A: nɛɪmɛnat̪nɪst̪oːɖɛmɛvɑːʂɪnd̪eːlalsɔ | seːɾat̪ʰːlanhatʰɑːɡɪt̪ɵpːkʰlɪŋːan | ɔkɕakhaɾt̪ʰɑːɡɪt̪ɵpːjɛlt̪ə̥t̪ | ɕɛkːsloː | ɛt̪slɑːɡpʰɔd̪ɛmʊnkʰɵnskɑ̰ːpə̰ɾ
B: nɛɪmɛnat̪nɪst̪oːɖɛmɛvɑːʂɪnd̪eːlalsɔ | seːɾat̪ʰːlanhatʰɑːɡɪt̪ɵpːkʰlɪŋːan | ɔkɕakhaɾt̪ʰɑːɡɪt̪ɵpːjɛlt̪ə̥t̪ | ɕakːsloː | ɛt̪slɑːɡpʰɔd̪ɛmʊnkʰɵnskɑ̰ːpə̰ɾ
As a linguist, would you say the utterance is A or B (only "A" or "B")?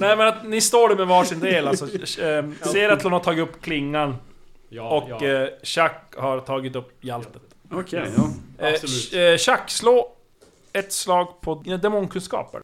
B